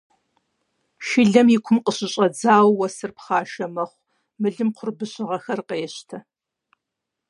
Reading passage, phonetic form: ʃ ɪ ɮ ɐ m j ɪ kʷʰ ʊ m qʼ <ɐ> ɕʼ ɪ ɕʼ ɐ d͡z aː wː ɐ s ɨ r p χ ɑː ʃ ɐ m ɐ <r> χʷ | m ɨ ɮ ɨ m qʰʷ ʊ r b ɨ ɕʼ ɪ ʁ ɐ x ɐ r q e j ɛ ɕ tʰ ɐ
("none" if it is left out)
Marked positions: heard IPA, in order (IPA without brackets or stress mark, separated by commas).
ə, none